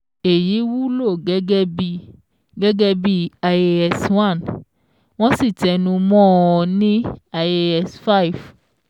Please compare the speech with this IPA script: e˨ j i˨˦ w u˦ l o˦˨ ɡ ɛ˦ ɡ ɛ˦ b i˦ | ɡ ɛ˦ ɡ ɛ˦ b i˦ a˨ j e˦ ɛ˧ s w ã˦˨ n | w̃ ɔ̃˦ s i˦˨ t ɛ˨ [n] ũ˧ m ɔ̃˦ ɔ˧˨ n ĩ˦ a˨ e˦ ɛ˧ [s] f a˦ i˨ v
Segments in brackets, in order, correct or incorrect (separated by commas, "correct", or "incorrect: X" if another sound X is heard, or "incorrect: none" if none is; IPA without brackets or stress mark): correct, correct